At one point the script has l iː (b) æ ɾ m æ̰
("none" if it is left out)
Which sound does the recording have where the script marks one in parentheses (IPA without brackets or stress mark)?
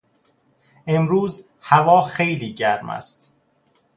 ɟ